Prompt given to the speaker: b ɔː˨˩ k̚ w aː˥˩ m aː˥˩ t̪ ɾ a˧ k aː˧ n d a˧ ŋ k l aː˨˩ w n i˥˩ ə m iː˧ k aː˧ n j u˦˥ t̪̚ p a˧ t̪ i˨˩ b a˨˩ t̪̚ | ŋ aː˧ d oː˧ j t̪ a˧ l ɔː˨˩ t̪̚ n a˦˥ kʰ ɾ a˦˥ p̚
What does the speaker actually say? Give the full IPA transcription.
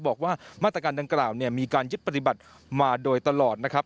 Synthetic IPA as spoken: b ɔː˨˩ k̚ w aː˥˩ m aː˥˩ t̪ ɾ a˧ k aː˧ n d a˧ ŋ k l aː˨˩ w n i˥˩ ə m iː˧ k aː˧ n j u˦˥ t̪̚ p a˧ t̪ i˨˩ b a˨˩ t̪̚ | m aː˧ d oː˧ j t̪ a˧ l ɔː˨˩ t̪̚ n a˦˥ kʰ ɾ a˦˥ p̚

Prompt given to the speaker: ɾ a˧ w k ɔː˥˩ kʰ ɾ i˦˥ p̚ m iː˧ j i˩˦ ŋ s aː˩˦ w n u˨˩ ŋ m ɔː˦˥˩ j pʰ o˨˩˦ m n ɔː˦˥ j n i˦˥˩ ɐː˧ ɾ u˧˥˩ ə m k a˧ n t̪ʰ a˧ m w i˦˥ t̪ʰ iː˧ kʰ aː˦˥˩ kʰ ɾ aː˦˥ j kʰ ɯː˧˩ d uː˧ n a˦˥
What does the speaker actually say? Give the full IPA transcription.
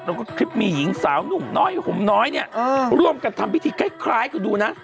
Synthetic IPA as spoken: ɾ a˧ w k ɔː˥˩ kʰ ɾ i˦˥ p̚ m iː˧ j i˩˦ ŋ s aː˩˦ w n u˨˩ ŋ n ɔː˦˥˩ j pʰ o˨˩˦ m n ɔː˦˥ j n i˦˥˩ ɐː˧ ɾ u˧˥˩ ə m k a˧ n t̪ʰ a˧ m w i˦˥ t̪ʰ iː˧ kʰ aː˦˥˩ kʰ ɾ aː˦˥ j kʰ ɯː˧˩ d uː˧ n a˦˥

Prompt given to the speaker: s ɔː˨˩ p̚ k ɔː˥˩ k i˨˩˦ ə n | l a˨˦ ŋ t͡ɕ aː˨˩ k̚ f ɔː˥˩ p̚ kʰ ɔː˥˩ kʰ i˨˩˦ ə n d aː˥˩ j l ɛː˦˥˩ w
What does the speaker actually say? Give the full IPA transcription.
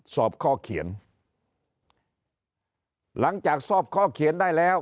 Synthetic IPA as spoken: s ɔː˨˩ p̚ kʰ ɔː˥˩ kʰ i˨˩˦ ə n | l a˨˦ ŋ t͡ɕ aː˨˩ k̚ s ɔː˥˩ p̚ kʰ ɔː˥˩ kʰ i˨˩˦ ə n d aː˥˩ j l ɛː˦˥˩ w

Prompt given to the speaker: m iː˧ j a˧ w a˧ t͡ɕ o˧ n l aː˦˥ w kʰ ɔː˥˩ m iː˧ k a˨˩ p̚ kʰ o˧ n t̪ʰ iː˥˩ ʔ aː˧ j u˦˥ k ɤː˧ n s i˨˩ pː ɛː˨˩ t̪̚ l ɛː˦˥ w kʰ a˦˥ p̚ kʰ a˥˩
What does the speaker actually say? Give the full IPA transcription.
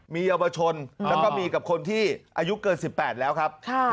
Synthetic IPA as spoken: m iː˧ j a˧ w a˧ t͡ɕʰ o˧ n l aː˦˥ w k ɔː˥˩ m iː˧ k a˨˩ p̚ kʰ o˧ n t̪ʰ iː˥˩ ʔ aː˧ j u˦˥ k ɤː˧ n s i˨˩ pː ɛː˨˩ t̪̚ l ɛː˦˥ w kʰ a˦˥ p̚ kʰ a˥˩

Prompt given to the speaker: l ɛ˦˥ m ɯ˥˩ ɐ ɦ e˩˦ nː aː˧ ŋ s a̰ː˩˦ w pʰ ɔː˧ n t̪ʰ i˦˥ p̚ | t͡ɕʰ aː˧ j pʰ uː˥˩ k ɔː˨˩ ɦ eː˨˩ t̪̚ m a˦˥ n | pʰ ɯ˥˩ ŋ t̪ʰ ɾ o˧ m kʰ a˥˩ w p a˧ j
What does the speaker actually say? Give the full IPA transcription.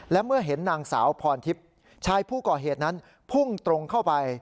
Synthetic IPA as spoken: l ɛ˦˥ m ɯ˥˩ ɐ ɦ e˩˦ nː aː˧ ŋ s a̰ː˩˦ w pʰ ɔː˧ n t̪ʰ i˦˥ p̚ | t͡ɕʰ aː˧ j pʰ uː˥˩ k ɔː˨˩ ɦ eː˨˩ t̪̚ n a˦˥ n | pʰ u˥˩ ŋ t̪ ɾ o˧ ŋ kʰ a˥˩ w p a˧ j

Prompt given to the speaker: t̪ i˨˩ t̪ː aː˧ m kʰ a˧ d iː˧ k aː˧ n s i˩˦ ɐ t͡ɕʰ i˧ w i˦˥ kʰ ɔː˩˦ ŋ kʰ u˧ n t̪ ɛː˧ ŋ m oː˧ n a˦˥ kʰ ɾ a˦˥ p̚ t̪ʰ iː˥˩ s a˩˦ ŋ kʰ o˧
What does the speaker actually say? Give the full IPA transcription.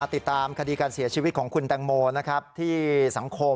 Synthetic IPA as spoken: t̪ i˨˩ t̪ː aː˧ m kʰ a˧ d iː˧ k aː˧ n s i˩˦ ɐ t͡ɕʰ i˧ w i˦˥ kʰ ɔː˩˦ ŋ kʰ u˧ n t̪ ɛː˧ ŋ m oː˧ n a˦˥ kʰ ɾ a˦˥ p̚ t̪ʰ iː˥˩ s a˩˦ ŋ kʰ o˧

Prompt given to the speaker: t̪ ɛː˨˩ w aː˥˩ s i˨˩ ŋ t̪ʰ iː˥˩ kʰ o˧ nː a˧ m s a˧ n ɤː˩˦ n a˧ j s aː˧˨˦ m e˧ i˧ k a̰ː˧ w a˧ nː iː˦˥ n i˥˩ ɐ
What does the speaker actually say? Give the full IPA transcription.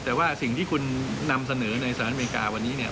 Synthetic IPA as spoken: t̪ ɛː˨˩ w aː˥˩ s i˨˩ ŋ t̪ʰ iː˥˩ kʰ u˧ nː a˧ m s a˧ n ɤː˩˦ n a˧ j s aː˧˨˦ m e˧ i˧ k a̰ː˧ w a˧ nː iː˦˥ n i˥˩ ɐ

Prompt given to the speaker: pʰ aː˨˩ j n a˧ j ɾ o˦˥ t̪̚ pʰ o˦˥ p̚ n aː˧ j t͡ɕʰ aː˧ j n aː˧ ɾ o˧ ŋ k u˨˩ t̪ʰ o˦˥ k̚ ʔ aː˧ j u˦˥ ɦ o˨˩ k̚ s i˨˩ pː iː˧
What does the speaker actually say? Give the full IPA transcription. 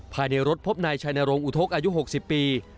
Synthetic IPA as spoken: pʰ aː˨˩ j n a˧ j ɾ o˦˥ t̪̚ pʰ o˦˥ p̚ n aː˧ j t͡ɕʰ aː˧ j n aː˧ ɾ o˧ ŋ ʔ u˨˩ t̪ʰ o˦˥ k̚ ʔ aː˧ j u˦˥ ɦ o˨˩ k̚ s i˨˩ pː iː˧

